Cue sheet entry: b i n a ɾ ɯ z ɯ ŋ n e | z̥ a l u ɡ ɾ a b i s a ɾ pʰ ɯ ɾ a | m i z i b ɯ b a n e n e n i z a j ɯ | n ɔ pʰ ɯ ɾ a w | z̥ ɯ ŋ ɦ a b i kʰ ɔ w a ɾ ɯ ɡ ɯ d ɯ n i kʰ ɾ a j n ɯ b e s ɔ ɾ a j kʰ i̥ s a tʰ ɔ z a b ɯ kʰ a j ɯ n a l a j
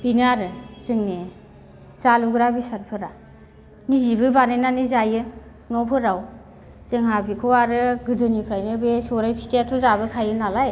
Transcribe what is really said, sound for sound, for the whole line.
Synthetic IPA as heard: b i n a ɾ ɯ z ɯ ŋ n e | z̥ a l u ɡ ɾ a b i s a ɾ pʰ ɯ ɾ a | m i z i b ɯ b a n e n a n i z a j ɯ | n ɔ pʰ ɯ ɾ a w | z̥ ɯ ŋ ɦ a b i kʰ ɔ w a ɾ ɯ ɡ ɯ d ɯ n i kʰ ɾ a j n ɯ b e s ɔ ɾ a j pʰ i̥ t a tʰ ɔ z a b ɯ kʰ a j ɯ n a l a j